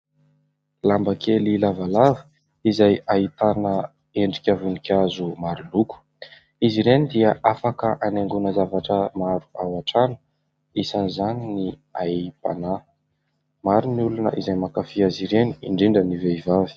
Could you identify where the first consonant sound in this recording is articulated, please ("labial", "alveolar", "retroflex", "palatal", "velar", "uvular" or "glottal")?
alveolar